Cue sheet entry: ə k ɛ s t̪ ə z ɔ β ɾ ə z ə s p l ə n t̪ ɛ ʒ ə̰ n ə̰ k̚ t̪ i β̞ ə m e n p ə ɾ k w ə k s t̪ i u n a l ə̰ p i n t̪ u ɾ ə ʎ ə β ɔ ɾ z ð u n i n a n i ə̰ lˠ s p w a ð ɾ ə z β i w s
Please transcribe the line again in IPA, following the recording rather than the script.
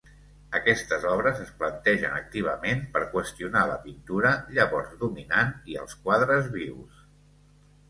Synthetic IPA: ə k ɛ s t̪ ə z ɔ β ɾ ə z ə s p l ə n t̪ ɛ ʒ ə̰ n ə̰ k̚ t̪ i β̞ ə m e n p ə ɾ k w ə s t̪ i u n a l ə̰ p i n t̪ u ɾ ə ʎ ə β ɔ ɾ z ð u m i n a n i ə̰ lˠ s k w a ð ɾ ə z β i w s